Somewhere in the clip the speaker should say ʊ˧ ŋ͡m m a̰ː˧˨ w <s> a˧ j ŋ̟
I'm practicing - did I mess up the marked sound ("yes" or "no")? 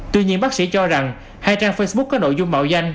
yes